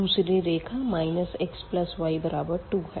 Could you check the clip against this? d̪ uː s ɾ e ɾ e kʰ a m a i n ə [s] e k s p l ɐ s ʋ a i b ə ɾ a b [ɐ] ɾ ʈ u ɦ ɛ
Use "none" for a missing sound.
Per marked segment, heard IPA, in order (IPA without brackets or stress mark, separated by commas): s, ə